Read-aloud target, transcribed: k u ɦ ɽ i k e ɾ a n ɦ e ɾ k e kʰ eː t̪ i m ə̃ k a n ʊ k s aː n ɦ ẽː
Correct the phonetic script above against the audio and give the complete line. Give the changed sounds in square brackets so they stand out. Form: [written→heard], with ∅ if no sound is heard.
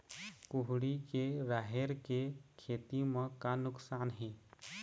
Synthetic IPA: k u ɦ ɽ i k e ɾ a [n→∅] ɦ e ɾ k e kʰ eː t̪ i m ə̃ k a n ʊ k s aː n ɦ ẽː